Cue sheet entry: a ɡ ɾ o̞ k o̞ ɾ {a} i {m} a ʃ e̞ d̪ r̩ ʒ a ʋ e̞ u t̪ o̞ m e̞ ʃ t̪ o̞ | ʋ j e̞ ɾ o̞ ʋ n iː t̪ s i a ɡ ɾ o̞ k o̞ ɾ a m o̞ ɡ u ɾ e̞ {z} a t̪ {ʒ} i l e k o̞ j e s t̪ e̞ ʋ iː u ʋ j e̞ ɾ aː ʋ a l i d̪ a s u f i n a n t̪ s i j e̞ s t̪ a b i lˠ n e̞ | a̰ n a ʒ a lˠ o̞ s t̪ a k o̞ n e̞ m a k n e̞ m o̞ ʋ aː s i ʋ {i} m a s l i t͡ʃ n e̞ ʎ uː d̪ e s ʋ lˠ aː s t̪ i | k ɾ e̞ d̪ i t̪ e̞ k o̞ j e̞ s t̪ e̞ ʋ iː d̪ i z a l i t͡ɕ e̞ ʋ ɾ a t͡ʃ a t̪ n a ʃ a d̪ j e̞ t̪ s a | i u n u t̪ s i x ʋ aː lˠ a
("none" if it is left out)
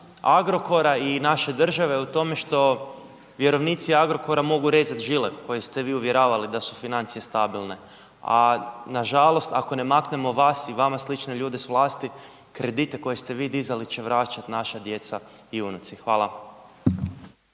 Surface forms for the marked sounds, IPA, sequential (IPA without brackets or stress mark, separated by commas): a, n, z, ʒ, a